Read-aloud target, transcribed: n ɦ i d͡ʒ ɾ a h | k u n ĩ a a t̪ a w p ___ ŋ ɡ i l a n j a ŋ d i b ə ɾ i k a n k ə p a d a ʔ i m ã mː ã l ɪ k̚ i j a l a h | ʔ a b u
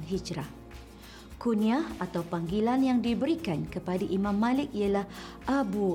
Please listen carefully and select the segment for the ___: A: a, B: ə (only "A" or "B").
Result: A